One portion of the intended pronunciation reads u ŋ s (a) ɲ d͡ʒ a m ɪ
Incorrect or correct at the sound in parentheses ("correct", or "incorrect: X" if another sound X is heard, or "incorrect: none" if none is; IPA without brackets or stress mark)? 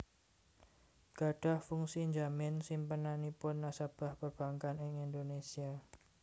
incorrect: i